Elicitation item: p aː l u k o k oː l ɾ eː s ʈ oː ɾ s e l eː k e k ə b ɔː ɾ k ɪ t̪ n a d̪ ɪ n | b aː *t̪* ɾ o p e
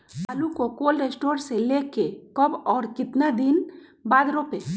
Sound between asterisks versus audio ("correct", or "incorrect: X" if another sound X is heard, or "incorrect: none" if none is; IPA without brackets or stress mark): incorrect: d̪